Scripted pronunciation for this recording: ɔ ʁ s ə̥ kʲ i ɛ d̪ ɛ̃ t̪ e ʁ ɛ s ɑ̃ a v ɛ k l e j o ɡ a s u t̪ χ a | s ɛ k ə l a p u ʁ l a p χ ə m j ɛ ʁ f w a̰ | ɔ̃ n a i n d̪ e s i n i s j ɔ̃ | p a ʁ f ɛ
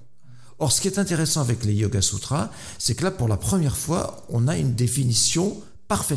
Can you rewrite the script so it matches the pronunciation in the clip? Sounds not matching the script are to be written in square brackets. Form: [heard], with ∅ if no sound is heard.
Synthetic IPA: ɔ ʁ s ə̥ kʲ i ɛ [t̪] ɛ̃ t̪ e ʁ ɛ s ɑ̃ a v ɛ k l e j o ɡ a s u t̪ χ a | s ɛ k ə l a p u ʁ l a p χ ə m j ɛ ʁ f w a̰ | ɔ̃ n a [y] n d̪ e [f] i n i s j ɔ̃ | p a ʁ f ɛ